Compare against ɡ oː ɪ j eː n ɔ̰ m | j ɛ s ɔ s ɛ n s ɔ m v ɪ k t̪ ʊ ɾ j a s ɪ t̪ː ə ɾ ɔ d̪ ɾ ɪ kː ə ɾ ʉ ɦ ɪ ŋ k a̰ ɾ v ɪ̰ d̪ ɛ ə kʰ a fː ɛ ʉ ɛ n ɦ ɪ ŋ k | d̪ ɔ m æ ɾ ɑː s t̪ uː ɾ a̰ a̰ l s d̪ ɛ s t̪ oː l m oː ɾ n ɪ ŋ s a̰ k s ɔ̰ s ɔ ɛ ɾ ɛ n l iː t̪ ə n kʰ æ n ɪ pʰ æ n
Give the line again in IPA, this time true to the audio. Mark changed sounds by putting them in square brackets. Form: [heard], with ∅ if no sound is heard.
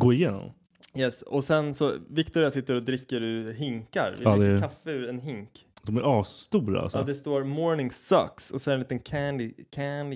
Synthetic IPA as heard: ɡ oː ɪ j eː n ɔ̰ m | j ɛ s ɔ s ɛ n s ɔ [∅] v ɪ k t̪ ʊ ɾ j a s ɪ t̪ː ə ɾ ɔ d̪ ɾ ɪ kː ə ɾ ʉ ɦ ɪ ŋ k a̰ ɾ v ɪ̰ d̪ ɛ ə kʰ a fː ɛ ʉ ɛ n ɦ ɪ ŋ k | d̪ ɔ m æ ɾ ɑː s t̪ uː ɾ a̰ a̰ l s d̪ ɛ s t̪ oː [ɾ] m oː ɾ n ɪ ŋ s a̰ k s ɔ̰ s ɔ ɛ ɾ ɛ n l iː t̪ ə n kʰ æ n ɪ [kʰ] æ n